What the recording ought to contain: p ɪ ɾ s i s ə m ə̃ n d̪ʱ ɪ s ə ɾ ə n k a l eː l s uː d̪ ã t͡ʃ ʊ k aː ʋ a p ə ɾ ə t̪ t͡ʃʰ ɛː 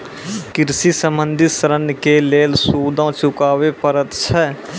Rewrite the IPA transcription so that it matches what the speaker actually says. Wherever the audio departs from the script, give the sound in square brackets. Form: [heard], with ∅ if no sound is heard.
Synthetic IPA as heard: [k] ɪ ɾ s i s ə m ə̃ n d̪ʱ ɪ s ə ɾ ə n k [e] l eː l s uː d̪ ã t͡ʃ ʊ k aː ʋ [e] p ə ɾ ə t̪ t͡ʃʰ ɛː